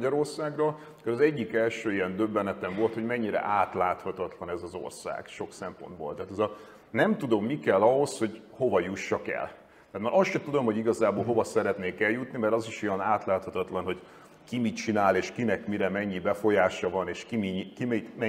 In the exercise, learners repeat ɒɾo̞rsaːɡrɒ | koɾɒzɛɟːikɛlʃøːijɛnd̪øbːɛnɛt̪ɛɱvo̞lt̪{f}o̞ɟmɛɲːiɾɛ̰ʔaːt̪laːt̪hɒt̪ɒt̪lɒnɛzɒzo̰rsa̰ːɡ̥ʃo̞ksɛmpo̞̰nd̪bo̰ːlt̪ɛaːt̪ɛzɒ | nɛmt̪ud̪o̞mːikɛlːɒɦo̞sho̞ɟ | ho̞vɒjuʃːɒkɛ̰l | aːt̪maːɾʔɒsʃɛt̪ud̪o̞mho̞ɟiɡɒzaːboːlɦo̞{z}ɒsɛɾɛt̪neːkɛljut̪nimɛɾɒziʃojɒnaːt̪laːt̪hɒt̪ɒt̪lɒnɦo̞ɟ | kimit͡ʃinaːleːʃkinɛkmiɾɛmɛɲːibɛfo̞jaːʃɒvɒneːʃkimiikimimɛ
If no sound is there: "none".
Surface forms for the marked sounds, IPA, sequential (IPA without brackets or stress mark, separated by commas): h, v